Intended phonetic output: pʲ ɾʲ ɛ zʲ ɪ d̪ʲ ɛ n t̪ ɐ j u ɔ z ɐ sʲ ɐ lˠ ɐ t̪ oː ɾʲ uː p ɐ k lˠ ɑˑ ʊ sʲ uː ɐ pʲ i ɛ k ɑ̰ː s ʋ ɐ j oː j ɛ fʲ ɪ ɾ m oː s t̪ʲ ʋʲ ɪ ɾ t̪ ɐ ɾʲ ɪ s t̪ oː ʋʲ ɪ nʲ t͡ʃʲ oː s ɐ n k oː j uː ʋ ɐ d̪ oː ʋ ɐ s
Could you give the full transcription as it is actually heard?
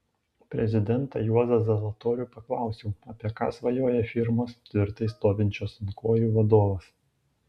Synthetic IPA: pʲ ɾʲ ɛ zʲ ɪ d̪ʲ ɛ n t̪ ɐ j u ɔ z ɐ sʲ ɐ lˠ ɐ t̪ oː ɾʲ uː p ɐ k lˠ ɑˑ ʊ sʲ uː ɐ pʲ i ɛ k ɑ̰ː s ʋ ɐ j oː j ɛ fʲ ɪ ɾ m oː s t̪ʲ ʋʲ ɪ ɾ t̪ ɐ ɪ s t̪ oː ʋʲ ɪ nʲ t͡ʃʲ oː s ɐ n k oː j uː ʋ ɐ d̪ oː ʋ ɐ s